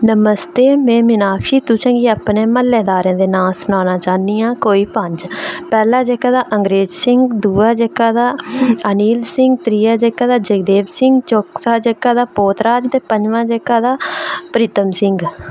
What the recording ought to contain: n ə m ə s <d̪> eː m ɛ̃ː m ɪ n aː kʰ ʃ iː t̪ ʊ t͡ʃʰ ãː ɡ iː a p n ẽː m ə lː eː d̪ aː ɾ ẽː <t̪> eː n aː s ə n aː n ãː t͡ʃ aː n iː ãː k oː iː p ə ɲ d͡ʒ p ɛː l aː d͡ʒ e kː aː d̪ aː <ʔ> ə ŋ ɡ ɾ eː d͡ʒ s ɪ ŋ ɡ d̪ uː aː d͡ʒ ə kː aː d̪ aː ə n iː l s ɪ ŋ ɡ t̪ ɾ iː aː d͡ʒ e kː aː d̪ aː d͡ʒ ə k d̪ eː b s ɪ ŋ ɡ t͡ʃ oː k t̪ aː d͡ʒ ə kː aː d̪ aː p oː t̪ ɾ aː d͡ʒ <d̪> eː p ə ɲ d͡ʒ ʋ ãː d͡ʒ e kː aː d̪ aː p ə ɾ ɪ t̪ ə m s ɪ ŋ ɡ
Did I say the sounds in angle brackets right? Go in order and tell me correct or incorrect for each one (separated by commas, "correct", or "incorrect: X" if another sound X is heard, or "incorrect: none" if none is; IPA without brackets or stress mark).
incorrect: t̪, incorrect: d̪, correct, incorrect: t̪